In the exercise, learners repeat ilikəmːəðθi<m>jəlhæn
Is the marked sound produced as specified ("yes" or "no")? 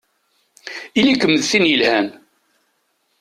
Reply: no